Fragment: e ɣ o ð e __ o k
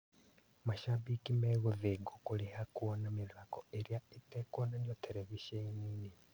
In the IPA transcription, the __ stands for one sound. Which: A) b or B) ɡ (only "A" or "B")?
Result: B